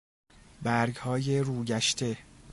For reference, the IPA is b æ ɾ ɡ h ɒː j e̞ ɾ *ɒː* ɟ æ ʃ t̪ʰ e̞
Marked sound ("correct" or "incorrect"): incorrect